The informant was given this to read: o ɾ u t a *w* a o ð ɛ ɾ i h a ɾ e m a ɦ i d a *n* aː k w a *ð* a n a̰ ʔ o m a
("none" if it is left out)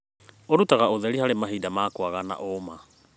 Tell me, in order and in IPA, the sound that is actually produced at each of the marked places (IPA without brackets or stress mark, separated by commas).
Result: ɣ, m, ɣ